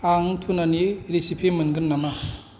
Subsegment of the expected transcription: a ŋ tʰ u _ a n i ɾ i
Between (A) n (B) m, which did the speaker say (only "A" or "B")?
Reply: A